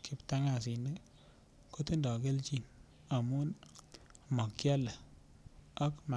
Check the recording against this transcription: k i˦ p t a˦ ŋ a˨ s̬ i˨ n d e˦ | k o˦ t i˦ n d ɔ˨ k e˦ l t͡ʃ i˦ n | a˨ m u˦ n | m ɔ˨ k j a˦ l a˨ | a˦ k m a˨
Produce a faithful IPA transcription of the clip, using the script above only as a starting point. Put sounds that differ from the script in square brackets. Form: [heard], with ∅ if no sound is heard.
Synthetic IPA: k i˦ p t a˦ ŋ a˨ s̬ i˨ n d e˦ | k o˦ t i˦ n d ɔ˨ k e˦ l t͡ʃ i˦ n | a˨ m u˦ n | m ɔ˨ k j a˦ l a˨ | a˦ k m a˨